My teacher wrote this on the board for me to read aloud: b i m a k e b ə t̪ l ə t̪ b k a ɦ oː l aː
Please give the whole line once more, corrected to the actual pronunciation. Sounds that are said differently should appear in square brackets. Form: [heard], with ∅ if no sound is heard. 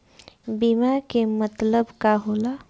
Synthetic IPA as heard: b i m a k e [m] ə t̪ l ə [∅] b k a ɦ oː l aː